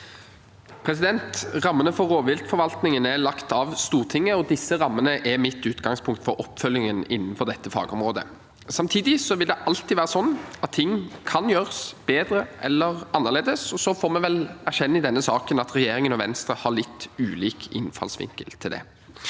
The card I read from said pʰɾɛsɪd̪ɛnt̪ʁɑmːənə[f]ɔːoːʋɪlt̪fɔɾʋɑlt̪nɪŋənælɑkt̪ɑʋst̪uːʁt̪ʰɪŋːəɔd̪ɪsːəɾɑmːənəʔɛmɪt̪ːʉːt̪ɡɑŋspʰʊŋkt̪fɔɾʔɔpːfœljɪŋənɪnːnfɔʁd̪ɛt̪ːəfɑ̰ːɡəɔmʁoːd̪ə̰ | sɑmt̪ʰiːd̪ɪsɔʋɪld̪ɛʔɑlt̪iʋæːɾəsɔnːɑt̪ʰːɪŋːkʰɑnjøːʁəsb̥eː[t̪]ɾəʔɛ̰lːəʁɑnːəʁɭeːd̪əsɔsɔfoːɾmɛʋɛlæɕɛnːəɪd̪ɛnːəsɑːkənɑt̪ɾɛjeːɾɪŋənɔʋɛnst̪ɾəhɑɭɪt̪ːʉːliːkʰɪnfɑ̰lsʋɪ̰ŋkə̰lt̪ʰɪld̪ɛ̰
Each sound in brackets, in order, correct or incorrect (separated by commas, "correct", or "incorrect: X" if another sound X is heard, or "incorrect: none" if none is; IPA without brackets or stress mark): correct, incorrect: d̪